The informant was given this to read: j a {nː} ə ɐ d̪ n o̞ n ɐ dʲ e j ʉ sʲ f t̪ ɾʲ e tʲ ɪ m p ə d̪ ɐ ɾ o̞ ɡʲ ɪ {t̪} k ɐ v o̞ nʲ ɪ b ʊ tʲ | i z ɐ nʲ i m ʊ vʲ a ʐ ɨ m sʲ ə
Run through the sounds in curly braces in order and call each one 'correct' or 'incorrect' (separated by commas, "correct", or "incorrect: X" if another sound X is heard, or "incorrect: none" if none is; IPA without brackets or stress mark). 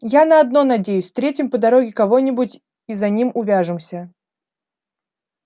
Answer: incorrect: n, incorrect: none